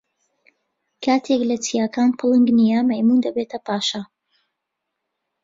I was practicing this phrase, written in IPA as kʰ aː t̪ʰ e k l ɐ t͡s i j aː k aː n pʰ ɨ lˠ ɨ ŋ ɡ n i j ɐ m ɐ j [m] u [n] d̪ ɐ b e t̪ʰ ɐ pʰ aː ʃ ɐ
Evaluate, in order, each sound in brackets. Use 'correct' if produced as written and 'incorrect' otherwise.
correct, correct

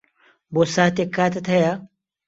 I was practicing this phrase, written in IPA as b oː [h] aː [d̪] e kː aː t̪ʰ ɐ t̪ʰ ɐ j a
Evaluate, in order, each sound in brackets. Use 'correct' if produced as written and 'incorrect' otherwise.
incorrect, incorrect

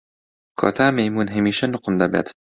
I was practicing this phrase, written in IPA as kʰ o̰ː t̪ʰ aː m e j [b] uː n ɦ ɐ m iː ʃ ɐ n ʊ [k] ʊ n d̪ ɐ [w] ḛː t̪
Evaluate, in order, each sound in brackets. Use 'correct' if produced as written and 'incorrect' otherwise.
incorrect, incorrect, incorrect

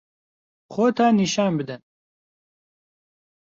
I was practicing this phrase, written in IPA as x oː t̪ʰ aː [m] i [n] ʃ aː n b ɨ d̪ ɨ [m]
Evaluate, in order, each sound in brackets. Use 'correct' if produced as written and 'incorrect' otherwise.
incorrect, incorrect, incorrect

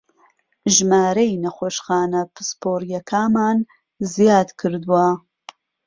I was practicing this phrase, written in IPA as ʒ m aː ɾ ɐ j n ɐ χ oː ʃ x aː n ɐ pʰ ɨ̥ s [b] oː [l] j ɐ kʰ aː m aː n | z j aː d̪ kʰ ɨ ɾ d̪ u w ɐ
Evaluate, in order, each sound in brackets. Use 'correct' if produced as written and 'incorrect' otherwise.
incorrect, incorrect

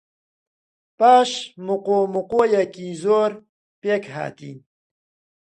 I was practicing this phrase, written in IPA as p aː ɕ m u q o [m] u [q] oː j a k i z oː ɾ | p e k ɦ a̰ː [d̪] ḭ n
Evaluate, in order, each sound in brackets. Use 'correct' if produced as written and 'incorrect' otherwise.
correct, correct, incorrect

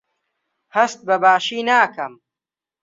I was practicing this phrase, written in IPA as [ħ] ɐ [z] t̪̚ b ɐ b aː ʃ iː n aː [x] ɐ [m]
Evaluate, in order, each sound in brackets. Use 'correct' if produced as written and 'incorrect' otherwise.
incorrect, incorrect, incorrect, correct

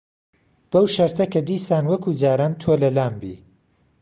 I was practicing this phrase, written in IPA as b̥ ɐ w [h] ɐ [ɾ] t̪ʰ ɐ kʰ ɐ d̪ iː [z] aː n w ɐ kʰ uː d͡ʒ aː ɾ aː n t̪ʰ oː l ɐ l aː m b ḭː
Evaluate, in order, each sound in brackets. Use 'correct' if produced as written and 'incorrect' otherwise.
incorrect, correct, incorrect

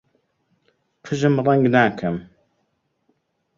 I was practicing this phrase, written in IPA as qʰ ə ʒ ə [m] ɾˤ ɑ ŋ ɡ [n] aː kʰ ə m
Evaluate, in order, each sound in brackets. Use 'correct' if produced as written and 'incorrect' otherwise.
correct, correct

